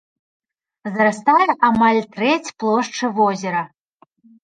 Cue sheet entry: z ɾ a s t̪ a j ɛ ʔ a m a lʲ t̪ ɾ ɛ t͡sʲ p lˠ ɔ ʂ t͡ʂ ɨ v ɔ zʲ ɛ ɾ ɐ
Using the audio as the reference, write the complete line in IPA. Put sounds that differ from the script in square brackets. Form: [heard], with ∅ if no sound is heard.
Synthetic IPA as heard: z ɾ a s t̪ a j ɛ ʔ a m a lʲ t̪ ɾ ɛ t͡sʲ p lˠ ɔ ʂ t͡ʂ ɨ v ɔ zʲ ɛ ɾ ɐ